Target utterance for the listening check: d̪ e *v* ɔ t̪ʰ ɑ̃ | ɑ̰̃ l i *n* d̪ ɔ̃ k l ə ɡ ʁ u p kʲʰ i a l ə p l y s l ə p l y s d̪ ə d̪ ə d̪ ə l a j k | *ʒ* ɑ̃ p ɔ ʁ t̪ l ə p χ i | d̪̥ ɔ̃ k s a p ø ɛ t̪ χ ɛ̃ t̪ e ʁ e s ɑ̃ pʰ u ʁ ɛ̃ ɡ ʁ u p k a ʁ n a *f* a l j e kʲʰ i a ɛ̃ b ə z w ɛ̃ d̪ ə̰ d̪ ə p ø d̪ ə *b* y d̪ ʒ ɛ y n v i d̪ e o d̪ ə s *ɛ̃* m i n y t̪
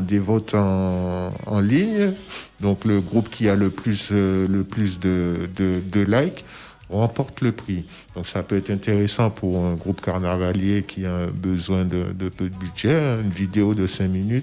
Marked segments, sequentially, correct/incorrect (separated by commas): correct, incorrect, incorrect, incorrect, correct, correct